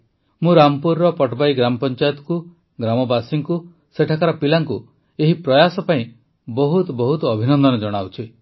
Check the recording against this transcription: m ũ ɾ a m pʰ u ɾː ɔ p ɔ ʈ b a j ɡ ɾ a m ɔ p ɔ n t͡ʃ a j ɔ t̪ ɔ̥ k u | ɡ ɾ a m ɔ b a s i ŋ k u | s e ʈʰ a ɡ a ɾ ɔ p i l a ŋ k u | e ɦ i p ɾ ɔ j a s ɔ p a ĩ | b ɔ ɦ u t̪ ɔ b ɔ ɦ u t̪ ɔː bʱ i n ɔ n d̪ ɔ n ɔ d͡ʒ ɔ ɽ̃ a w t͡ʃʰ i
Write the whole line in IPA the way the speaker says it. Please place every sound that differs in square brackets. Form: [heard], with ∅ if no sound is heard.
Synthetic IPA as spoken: m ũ ɾ a m [p] u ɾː ɔ p ɔ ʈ b a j ɡ ɾ a m ɔ p ɔ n t͡ʃ a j ɔ t̪ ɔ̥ k u | ɡ ɾ a m ɔ b a s i ŋ k u | s e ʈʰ a [k] a ɾ ɔ p i l a ŋ k u | e ɦ i p ɾ ɔ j a s ɔ p a ĩ | b ɔ ɦ u t̪ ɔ b ɔ ɦ u t̪ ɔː bʱ i n ɔ n d̪ ɔ n ɔ d͡ʒ ɔ ɽ̃ a w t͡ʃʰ i